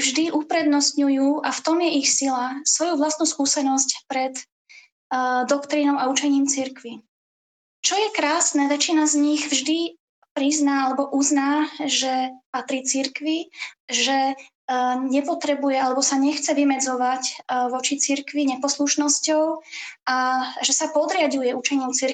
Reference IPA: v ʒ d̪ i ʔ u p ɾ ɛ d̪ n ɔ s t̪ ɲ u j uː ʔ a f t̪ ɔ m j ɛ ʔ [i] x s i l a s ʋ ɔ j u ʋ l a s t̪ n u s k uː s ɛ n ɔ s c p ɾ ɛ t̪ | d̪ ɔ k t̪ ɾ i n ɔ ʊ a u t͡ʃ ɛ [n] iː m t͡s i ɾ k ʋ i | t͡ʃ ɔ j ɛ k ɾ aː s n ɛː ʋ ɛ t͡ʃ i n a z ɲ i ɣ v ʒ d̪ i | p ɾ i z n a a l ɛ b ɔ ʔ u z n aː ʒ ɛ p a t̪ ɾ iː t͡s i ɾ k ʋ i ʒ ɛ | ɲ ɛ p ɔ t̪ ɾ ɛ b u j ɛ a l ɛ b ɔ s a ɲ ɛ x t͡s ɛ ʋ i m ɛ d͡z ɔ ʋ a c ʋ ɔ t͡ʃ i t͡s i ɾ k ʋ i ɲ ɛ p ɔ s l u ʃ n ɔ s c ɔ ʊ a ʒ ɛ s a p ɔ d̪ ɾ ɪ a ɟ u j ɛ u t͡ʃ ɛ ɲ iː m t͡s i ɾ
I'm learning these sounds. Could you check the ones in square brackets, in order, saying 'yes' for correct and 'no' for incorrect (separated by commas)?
yes, no